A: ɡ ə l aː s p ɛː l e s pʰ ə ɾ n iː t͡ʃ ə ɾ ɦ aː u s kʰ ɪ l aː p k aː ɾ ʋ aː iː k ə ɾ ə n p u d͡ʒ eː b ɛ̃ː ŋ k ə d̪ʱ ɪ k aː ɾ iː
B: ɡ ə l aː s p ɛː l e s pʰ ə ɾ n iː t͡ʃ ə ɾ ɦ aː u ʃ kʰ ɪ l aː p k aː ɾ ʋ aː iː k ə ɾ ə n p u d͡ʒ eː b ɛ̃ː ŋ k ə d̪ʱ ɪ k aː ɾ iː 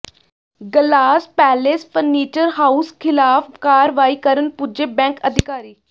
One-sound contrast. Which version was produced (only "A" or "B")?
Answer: A